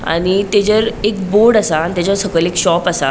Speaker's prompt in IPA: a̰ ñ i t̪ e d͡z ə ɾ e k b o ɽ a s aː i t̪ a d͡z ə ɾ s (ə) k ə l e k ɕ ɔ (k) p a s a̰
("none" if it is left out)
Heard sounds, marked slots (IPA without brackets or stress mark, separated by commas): ə, none